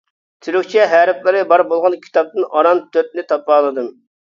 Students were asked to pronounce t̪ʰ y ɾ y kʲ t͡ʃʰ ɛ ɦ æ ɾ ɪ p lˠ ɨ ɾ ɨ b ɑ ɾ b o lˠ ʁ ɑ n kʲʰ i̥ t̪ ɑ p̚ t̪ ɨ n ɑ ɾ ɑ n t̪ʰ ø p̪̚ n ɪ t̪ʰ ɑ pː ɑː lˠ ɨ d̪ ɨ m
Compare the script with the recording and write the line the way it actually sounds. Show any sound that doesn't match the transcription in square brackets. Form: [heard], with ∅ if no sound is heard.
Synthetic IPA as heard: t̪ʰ y ɾ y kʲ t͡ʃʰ ɛ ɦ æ ɾ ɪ p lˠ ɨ ɾ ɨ b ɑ ɾ b o lˠ ʁ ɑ n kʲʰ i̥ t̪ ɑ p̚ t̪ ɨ n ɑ ɾ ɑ n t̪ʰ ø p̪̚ n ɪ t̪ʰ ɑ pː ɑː lˠ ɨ d̪ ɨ m